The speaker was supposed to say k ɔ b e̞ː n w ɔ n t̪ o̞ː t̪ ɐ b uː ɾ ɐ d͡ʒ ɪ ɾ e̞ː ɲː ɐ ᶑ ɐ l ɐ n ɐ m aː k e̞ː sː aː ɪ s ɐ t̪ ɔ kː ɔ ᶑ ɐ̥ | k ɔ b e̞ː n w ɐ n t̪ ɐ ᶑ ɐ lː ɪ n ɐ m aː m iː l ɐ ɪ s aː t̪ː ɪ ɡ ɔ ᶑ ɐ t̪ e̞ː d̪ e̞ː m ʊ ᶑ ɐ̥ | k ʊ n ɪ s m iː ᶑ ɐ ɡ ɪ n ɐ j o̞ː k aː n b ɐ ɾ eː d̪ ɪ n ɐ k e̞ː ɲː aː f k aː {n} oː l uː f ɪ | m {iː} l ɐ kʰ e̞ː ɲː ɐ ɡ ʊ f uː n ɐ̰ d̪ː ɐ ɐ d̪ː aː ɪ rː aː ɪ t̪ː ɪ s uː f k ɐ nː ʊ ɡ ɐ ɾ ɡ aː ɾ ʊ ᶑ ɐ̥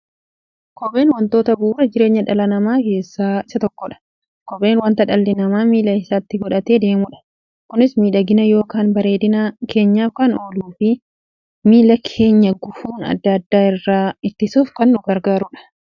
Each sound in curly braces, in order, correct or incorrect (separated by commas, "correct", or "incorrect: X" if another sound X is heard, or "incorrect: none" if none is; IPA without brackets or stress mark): correct, correct